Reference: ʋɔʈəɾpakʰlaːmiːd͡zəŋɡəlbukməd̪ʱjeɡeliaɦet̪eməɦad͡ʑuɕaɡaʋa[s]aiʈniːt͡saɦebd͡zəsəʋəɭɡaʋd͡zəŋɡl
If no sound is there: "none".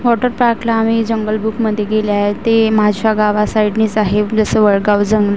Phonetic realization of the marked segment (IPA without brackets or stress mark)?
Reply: s